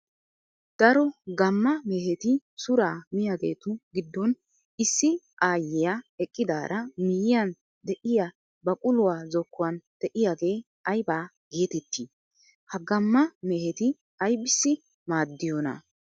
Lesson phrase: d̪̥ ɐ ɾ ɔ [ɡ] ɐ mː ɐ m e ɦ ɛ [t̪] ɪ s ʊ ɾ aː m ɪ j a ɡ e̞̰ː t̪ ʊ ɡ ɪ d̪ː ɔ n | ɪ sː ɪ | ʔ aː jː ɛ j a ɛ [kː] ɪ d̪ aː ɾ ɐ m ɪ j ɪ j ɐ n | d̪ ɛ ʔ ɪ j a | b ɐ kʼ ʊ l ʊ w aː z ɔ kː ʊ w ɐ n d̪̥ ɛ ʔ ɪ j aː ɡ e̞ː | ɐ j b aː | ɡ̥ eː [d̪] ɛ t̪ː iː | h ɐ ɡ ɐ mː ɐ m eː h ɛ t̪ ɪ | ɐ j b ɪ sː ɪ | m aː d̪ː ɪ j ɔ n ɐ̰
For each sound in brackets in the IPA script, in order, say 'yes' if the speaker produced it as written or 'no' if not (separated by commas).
yes, yes, no, no